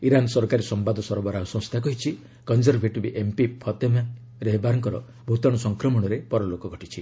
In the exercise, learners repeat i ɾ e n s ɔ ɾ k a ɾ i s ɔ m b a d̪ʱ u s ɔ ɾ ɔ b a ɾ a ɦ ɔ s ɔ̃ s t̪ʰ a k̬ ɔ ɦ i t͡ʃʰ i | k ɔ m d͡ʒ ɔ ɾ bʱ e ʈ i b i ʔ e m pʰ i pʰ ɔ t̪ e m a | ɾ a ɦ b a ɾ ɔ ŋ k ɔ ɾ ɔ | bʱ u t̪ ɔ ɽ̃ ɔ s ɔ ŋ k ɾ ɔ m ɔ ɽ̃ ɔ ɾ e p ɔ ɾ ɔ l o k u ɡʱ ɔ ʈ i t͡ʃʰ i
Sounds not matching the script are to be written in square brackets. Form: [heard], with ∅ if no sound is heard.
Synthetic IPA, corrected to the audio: i ɾ [a] n s ɔ ɾ k a ɾ i s ɔ m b a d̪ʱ [ɔ] s ɔ ɾ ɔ b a ɾ a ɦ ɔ s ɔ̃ s t̪ʰ a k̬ ɔ ɦ i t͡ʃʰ i | k ɔ [n] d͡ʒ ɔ ɾ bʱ e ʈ i b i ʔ e m [p] i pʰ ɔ t̪ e m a | ɾ [e] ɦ b a ɾ ɔ ŋ k ɔ ɾ ɔ | bʱ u t̪ ɔ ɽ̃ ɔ s ɔ ŋ k ɾ ɔ m ɔ ɽ̃ ɔ ɾ e p ɔ ɾ ɔ l o k [ɔ] ɡʱ ɔ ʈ i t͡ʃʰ i

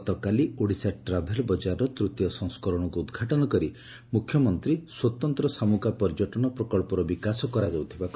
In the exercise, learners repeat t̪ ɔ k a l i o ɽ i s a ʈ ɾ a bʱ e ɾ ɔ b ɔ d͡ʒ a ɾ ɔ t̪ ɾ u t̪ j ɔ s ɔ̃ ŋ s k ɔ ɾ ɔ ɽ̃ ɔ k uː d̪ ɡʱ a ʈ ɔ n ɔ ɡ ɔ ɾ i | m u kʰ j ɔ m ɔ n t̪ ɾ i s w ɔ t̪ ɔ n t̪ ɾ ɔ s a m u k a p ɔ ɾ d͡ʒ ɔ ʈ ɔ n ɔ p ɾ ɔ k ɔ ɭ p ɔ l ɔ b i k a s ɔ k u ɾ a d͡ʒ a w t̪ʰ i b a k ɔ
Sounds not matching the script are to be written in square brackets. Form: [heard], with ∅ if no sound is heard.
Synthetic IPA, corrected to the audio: t̪ ɔ k a l i o ɽ i s a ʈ ɾ a bʱ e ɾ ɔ b ɔ d͡ʒ a ɾ ɔ t̪ ɾ u t̪ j ɔ s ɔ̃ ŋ s k ɔ ɾ ɔ ɽ̃ ɔ k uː d̪ ɡʱ a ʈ ɔ n ɔ [k] ɔ ɾ i | m u kʰ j ɔ m ɔ n t̪ ɾ i s w ɔ t̪ ɔ n t̪ ɾ ɔ s a m u k a p ɔ ɾ d͡ʒ ɔ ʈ ɔ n ɔ p ɾ ɔ k ɔ ɭ p ɔ [ɾ] ɔ b i k a s ɔ k [ɔ] ɾ a d͡ʒ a w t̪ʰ i b a k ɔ

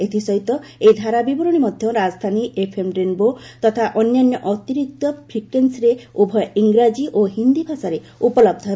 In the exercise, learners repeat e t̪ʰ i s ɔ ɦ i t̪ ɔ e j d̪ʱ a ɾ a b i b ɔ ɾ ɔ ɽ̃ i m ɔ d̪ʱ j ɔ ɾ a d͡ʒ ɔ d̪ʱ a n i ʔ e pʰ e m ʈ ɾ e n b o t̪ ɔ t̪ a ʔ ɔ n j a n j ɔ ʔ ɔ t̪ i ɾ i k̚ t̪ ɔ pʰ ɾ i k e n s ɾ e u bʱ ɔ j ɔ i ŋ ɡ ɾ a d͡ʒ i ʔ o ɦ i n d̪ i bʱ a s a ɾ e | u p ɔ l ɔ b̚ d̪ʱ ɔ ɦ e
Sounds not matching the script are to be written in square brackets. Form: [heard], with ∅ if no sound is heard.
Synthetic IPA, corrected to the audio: e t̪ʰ i s ɔ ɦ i t̪ ɔ e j d̪ʱ a ɾ a b i b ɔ ɾ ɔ ɽ̃ i m ɔ d̪ʱ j ɔ ɾ a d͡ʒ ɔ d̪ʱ a n i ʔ e pʰ e m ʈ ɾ e n b o t̪ ɔ [t̪ʰ] a ʔ ɔ n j a n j ɔ ʔ ɔ t̪ i ɾ i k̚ t̪ ɔ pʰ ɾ i k e n s ɾ e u bʱ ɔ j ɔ i ŋ ɡ ɾ a d͡ʒ i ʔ o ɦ i n d̪ i bʱ a s a ɾ e | u p ɔ l ɔ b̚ d̪ʱ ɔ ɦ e

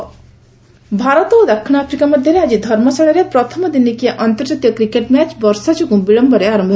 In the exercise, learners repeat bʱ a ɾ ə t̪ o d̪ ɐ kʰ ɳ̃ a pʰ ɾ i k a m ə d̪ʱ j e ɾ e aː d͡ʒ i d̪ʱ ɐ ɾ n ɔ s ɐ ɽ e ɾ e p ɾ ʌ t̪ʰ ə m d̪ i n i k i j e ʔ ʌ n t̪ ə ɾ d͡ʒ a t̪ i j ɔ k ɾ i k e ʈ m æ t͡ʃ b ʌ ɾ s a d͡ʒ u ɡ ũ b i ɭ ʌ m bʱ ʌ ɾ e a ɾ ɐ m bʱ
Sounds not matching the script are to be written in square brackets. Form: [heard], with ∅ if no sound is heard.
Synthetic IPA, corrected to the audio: bʱ a ɾ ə t̪ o d̪ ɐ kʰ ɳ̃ a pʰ ɾ i k a m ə d̪ʱ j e ɾ e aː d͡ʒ i d̪ʱ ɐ ɾ [m] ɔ s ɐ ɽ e ɾ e p ɾ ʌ t̪ʰ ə m d̪ i n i k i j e ʔ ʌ n t̪ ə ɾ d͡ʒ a t̪ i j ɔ k ɾ i k e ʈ m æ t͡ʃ b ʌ ɾ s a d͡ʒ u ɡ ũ b i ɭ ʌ m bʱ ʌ ɾ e a ɾ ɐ m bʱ

